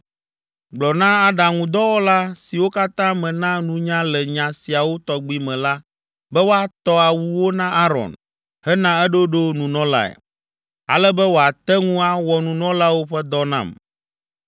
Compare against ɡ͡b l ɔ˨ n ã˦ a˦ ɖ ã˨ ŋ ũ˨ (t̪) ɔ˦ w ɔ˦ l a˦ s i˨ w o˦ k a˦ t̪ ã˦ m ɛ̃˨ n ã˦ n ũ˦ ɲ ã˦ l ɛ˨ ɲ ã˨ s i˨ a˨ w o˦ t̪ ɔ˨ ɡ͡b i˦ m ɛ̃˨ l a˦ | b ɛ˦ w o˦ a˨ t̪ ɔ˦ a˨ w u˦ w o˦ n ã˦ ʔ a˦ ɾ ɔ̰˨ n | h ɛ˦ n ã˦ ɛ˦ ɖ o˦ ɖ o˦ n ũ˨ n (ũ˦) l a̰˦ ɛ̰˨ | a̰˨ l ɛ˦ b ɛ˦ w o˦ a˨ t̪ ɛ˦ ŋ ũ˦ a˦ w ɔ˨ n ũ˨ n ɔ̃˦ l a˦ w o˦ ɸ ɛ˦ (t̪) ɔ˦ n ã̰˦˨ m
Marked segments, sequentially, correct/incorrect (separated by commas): incorrect, incorrect, incorrect